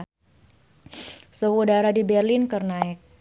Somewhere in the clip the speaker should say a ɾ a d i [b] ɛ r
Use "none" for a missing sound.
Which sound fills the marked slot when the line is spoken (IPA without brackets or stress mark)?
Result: b